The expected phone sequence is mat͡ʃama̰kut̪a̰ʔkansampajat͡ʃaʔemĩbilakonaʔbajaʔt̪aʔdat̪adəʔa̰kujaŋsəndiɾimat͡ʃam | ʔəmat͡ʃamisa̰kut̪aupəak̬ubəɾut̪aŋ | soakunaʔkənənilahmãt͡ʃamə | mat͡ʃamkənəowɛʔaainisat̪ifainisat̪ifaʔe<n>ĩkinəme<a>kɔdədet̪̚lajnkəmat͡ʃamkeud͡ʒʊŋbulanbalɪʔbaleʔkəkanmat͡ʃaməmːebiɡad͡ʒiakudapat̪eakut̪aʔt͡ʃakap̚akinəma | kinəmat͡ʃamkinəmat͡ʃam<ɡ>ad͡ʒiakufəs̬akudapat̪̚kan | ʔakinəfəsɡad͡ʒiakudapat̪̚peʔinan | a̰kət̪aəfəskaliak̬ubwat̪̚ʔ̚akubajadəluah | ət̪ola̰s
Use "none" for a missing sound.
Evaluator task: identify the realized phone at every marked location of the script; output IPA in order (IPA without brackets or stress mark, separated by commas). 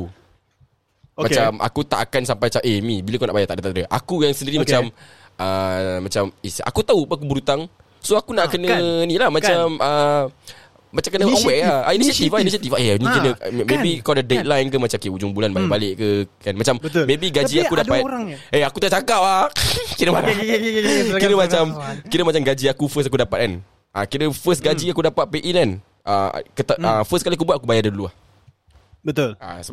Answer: n, i, ɡ